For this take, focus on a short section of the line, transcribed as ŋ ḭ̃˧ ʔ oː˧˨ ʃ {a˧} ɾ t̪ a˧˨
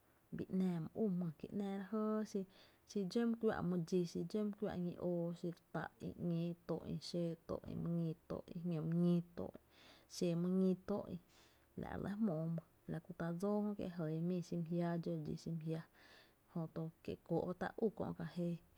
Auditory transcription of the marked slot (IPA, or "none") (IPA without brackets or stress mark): i˧